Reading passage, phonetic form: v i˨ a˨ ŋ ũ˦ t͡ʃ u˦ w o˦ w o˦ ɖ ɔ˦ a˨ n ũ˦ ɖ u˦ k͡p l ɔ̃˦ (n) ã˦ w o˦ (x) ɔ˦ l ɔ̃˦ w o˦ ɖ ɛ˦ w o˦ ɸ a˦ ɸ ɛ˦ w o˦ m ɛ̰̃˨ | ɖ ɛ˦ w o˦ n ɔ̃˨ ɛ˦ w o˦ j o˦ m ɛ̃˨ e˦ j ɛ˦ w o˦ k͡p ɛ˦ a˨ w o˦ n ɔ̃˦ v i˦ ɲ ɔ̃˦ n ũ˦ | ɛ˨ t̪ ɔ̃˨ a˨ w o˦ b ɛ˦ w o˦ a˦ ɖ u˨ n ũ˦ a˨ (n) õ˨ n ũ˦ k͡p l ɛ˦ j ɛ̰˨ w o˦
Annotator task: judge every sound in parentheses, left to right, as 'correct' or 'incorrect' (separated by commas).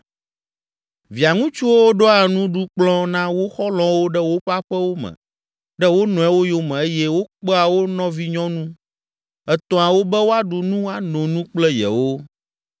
correct, correct, correct